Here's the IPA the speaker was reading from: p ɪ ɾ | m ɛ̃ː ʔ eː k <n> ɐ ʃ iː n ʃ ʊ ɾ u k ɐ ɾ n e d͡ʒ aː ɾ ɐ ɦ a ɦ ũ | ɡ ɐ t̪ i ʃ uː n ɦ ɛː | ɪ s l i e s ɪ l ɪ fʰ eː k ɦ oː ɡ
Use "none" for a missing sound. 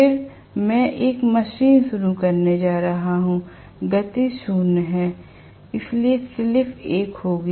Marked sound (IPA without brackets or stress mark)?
m